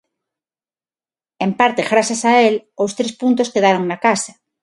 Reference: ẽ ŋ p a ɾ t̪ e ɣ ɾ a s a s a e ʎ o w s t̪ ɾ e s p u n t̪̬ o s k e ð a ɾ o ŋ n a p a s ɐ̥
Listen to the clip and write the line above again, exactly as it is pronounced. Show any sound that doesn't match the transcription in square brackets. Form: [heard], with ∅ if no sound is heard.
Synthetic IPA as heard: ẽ [m] p a ɾ t̪ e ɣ ɾ a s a s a e [l] o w s t̪ ɾ e s p u n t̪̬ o s k e ð a ɾ o ŋ n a [k] a s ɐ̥